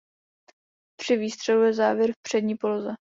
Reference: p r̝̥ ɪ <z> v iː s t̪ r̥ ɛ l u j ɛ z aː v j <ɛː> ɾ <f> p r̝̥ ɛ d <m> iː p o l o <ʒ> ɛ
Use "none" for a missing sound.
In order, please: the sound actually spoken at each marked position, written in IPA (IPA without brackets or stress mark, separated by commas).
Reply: none, ɛ, f, ɲ, z